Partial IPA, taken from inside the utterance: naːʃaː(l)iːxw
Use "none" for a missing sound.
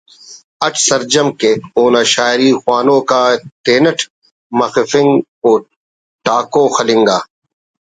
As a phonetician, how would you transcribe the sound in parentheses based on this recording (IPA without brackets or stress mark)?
ɾ